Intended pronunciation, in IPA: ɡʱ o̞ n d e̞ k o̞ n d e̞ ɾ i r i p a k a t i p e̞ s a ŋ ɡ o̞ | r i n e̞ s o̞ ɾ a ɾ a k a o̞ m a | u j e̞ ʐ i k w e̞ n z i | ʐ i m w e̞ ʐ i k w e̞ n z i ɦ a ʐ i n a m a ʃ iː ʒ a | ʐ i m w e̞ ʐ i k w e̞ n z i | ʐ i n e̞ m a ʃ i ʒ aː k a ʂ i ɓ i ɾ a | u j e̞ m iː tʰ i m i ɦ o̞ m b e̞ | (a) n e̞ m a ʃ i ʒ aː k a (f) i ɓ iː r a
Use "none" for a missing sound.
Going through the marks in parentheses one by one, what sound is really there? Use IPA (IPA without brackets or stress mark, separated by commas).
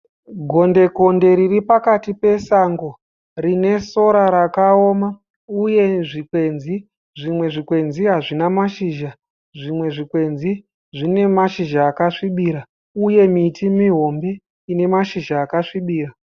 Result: i, ʂ